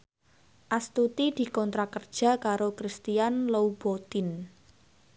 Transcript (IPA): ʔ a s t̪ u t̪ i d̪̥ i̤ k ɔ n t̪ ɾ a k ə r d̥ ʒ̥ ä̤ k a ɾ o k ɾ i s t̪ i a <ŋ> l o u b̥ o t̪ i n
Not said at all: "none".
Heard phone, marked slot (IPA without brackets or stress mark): n